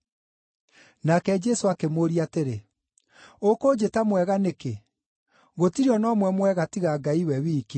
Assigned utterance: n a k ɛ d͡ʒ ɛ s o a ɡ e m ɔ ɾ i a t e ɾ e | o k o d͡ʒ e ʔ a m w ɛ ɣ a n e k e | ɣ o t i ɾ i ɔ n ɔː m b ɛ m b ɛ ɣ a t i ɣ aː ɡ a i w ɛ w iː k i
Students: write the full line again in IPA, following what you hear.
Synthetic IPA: n a k ɛ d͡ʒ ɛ s o a k e m o ɾ i a t e ɾ e | o k o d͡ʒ e t a m w ɛ ɣ a n e k e | ɣ o t i ɾ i ɔ n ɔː m w ɛ m w ɛ ɣ a t i ɣ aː ɡ a i w ɛ w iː k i